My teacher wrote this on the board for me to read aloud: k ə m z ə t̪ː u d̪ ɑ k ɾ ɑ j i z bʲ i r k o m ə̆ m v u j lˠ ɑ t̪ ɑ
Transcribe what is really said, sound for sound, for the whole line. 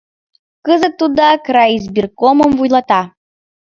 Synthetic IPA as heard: k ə z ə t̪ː u d̪ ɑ k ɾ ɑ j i z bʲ i r k o m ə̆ m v u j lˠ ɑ t̪ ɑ